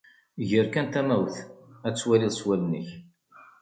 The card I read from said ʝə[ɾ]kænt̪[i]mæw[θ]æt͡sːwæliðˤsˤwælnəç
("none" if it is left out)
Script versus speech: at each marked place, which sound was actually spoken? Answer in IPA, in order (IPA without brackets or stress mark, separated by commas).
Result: ɾ, æ, θ